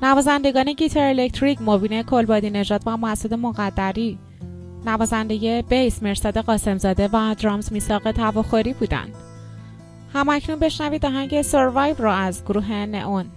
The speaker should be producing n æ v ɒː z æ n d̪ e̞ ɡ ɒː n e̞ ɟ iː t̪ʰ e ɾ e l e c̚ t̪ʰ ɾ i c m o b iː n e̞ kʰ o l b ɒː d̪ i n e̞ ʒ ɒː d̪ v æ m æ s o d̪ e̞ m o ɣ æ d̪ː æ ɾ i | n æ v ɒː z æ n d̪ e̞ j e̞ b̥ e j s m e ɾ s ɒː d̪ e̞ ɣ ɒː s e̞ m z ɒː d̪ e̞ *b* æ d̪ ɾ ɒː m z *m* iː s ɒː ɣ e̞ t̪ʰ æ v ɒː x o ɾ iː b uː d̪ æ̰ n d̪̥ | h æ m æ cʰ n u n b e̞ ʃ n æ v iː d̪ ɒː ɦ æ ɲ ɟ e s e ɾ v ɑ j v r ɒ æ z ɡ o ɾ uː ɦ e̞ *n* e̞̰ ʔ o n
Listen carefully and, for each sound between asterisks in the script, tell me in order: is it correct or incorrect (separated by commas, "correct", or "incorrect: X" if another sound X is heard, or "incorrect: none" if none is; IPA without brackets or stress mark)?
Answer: incorrect: v, correct, correct